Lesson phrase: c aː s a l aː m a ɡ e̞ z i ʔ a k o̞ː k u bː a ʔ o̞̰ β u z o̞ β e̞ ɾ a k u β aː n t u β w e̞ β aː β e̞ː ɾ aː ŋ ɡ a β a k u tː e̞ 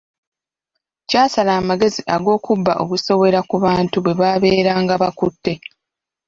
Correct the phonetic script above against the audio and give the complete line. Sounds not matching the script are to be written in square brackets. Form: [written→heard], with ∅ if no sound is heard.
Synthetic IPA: c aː s a l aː m a ɡ e̞ z i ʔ a [k→ɡ] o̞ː k u bː a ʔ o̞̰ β u [z→s] o̞ β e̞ ɾ a k u β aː n t u β w e̞ β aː β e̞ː ɾ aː ŋ ɡ a β a k u tː e̞